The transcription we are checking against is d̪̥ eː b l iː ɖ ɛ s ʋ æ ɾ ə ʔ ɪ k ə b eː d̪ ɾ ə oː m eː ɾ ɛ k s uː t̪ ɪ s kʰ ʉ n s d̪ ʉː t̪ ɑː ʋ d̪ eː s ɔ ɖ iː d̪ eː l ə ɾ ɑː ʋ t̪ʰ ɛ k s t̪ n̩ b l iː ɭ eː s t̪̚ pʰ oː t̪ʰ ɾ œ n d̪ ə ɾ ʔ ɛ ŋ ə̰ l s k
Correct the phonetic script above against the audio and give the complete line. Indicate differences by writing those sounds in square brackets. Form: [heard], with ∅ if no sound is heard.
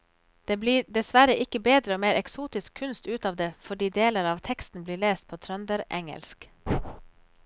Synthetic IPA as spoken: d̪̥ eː b l iː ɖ ɛ s ʋ æ ɾ ə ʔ ɪ k ə b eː d̪ ɾ ə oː m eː ɾ ɛ k s uː t̪ ɪ s kʰ ʉ n s [t̪] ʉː t̪ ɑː ʋ d̪ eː [f] ɔ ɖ iː d̪ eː l ə ɾ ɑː ʋ t̪ʰ ɛ k s t̪ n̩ b l iː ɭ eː s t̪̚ pʰ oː t̪ʰ ɾ œ n d̪ ə ɾ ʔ ɛ ŋ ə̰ l s k